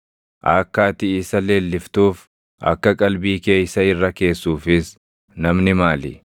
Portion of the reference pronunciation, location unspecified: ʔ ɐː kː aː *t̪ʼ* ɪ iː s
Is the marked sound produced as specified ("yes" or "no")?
no